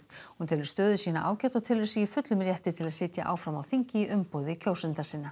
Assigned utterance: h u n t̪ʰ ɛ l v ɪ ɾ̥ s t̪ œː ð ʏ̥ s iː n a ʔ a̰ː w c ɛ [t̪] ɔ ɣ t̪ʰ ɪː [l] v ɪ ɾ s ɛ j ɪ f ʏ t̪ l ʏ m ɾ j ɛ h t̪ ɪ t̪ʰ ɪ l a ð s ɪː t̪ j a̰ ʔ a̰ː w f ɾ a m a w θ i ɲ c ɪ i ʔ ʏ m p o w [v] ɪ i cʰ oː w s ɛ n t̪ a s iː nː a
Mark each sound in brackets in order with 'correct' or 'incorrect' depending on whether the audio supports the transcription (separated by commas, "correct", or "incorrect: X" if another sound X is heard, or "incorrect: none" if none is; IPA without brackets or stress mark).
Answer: correct, correct, incorrect: ð